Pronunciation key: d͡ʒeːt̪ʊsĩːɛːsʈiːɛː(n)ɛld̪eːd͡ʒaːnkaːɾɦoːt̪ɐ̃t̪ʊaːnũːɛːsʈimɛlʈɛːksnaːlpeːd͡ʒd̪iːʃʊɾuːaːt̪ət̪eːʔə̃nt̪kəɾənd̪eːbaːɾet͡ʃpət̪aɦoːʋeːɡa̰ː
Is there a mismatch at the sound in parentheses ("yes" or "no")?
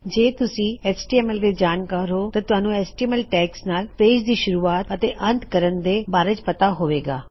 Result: yes